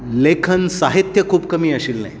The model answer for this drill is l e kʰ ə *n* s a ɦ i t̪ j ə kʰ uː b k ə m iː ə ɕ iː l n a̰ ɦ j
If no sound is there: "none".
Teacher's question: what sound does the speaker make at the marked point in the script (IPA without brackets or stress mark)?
n